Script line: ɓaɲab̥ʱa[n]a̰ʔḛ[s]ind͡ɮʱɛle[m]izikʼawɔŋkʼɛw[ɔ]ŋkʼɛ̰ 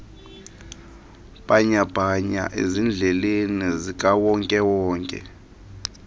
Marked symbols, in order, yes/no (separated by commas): no, no, no, no